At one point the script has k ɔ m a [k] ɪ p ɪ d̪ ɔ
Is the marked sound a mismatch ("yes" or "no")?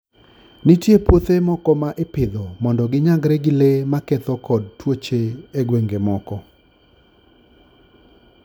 yes